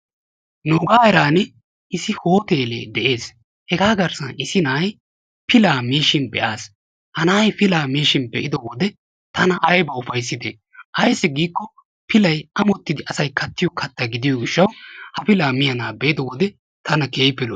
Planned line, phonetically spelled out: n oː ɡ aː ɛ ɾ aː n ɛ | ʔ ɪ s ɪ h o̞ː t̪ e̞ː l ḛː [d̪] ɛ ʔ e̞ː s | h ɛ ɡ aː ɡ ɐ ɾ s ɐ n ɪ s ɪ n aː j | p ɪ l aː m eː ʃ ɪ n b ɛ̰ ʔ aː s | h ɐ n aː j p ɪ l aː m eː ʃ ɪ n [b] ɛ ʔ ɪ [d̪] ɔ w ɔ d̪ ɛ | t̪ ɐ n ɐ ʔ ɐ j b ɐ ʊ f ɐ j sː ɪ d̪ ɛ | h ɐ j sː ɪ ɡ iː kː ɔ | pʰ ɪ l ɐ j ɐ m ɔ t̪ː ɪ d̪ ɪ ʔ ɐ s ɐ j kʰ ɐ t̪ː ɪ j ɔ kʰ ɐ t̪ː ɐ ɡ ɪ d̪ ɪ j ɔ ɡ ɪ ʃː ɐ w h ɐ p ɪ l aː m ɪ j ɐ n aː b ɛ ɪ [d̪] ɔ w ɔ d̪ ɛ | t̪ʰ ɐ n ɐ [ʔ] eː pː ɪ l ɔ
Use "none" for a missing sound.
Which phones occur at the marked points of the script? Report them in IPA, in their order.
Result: d̪, b, d̪, d̪, k

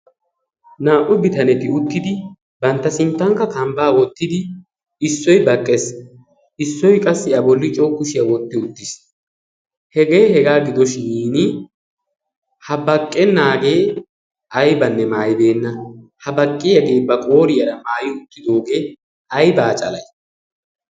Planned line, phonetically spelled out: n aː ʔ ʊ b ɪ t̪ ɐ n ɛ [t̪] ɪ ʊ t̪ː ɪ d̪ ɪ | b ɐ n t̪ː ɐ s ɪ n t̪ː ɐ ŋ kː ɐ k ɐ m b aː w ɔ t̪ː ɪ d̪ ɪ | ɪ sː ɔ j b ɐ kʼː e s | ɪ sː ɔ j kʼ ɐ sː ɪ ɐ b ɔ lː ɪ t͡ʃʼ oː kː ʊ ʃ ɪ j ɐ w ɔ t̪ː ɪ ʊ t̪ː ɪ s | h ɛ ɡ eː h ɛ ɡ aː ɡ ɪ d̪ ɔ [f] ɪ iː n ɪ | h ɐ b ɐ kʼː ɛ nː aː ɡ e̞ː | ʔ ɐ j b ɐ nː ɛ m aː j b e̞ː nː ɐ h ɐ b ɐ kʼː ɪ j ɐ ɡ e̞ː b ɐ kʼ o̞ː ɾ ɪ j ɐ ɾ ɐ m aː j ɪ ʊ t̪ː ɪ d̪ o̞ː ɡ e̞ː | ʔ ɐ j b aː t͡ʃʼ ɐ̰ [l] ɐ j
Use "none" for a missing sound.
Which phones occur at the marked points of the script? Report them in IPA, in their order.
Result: t̪, ʃ, l

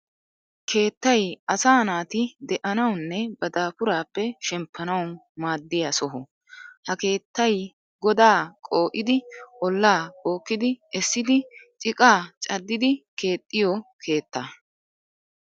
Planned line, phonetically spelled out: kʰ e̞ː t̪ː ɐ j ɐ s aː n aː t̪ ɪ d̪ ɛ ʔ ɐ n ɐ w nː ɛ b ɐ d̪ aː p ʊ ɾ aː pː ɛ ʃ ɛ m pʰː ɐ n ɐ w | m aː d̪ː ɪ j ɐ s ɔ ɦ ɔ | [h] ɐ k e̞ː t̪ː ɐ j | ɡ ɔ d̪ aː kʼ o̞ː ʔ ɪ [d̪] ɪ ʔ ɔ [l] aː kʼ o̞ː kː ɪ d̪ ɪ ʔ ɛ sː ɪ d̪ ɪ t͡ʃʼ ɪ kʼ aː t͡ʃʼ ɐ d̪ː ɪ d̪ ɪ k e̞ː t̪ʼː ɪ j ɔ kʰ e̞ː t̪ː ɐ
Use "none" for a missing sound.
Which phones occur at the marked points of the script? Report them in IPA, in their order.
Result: h, d̪, lː

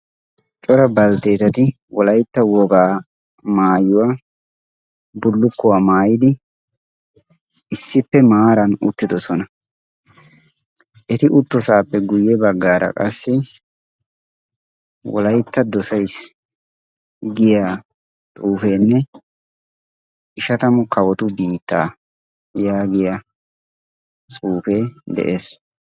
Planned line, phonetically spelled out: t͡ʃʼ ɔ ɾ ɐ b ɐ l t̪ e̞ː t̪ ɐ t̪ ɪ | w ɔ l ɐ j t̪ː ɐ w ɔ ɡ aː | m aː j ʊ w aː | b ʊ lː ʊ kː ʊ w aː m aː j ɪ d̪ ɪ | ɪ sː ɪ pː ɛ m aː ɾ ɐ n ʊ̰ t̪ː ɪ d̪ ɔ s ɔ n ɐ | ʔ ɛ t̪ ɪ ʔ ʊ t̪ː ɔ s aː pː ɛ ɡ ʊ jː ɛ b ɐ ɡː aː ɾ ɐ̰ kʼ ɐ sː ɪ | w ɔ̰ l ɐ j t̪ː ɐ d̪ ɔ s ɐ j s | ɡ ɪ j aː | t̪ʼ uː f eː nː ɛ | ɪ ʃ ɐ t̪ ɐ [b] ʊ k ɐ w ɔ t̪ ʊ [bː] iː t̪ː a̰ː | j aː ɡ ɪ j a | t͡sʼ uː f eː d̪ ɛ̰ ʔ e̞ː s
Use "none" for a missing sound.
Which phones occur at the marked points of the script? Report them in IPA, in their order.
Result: m, b

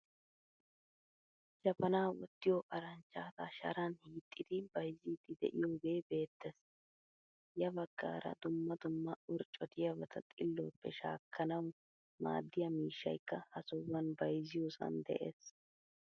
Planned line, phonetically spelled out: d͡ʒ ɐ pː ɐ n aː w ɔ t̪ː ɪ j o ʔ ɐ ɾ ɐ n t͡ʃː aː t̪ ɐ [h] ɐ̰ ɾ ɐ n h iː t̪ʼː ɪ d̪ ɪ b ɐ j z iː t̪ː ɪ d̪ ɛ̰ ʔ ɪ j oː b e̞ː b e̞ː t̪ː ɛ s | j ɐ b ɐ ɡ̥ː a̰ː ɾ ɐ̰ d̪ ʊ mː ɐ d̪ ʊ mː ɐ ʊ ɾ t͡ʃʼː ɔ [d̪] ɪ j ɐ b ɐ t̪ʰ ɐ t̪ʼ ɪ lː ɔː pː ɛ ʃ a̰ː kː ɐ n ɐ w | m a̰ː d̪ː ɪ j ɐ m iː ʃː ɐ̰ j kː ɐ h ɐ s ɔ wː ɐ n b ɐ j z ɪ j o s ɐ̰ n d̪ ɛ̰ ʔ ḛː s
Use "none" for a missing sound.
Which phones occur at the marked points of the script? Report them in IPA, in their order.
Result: ʃ, t̪

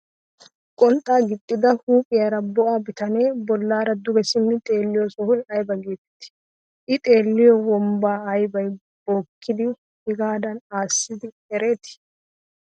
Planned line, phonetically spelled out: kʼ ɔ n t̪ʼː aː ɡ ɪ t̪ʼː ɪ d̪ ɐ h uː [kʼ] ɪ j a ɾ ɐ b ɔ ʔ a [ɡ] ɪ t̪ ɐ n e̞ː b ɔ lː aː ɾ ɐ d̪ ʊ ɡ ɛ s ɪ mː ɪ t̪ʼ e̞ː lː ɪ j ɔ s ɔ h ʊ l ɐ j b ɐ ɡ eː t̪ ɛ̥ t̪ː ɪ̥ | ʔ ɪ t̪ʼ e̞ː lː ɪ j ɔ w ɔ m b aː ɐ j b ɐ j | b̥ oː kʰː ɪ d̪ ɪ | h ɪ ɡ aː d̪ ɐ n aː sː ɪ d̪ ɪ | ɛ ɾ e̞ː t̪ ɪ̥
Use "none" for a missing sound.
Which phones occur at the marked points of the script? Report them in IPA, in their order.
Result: pʼ, b

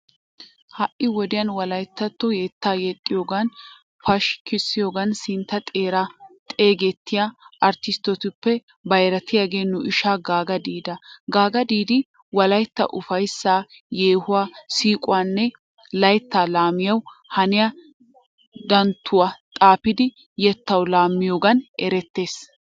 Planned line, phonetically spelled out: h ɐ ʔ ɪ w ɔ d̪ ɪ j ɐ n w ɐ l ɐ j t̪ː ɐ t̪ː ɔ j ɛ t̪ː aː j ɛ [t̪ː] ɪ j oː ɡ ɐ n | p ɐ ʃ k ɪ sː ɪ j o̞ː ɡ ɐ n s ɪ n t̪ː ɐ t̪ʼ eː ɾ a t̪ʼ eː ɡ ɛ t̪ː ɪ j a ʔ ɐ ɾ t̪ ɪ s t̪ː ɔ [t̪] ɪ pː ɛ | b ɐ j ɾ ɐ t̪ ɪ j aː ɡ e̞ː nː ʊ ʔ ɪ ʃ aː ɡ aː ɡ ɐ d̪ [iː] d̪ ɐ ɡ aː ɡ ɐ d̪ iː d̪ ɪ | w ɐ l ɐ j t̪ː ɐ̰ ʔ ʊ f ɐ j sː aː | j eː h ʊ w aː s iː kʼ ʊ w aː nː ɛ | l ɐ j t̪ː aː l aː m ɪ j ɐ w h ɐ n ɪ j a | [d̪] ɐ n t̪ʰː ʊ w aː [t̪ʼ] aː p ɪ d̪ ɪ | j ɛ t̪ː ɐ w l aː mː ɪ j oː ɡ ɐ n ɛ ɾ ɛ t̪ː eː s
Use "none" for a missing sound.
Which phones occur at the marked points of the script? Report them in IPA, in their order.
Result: t̪ʼː, t̪, iː, d̪, t̪ʼ

